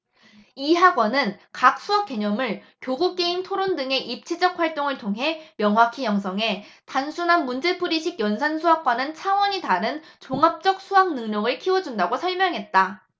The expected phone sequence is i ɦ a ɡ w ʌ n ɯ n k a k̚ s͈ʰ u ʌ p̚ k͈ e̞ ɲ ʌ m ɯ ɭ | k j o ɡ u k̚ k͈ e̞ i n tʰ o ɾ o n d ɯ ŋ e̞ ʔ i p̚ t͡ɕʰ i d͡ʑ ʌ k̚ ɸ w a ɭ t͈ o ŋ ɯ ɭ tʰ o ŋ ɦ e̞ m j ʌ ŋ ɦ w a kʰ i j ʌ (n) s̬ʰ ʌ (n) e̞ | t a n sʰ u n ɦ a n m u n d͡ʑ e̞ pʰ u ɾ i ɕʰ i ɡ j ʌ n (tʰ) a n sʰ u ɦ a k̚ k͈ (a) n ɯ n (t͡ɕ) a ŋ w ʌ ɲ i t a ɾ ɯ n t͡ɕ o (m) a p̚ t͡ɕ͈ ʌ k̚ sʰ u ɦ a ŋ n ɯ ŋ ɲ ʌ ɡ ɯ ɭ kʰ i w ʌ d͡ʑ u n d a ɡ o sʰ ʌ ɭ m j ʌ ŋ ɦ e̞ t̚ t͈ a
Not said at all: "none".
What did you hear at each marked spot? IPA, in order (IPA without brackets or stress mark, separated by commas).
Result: ŋ, ŋ, sʰ, a, t͡ɕʰ, ŋ